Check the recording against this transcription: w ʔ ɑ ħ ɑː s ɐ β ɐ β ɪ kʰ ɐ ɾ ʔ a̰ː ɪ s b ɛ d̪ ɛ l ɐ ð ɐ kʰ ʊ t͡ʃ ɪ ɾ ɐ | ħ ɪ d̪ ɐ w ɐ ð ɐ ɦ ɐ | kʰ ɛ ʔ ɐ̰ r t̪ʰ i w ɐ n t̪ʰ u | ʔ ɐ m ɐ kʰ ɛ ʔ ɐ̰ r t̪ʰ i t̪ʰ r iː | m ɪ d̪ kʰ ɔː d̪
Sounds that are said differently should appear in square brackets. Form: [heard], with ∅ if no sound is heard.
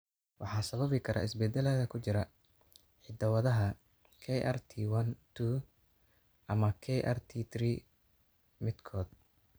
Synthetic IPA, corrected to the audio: w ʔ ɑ ħ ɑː s ɐ β ɐ β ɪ kʰ ɐ ɾ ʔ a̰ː ɪ s b ɛ d̪ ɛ l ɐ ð ɐ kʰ ʊ t͡ʃ ɪ ɾ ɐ | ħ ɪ d̪ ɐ w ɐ ð ɐ ɦ ɐ | kʰ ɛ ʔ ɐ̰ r t̪ʰ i w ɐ n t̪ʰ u | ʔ ɐ m ɐ kʰ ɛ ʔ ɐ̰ r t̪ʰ i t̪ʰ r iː | m ɪ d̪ kʰ ɔː d̪